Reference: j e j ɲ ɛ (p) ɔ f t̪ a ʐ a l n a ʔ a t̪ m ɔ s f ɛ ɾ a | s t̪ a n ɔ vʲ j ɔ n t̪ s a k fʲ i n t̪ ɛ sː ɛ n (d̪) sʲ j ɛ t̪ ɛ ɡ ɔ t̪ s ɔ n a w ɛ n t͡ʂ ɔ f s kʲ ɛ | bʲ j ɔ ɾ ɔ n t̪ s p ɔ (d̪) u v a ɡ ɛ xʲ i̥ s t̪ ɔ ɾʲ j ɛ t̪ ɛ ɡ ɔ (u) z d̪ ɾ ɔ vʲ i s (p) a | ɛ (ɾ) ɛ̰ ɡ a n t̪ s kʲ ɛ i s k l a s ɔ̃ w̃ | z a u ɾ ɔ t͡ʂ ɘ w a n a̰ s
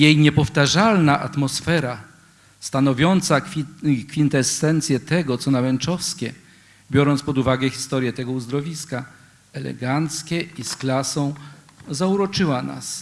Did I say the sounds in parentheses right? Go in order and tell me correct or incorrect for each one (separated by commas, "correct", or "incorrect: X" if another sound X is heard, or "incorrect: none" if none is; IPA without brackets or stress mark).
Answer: correct, incorrect: t̪, correct, correct, incorrect: k, incorrect: l